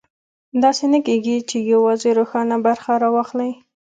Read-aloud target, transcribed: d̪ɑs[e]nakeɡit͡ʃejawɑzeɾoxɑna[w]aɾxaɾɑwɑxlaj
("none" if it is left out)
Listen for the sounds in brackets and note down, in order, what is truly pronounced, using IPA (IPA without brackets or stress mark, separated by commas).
e, b